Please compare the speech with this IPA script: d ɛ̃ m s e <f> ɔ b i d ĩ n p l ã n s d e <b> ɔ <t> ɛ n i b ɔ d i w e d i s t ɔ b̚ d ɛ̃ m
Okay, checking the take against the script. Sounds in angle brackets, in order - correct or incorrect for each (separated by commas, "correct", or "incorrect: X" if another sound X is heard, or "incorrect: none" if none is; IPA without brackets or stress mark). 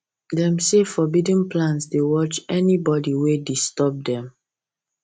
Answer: correct, incorrect: w, incorrect: t͡ʃ